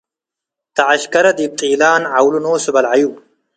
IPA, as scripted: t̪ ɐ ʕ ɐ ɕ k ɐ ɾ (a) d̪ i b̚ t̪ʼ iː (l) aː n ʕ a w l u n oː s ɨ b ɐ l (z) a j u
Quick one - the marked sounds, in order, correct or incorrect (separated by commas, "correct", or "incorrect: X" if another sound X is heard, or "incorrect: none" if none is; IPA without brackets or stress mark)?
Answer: incorrect: ɐ, correct, incorrect: ʕ